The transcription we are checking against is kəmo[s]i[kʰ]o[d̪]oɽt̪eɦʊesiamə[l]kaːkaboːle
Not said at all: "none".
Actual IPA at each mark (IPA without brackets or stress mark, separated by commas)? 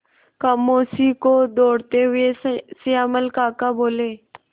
s, k, d̪, l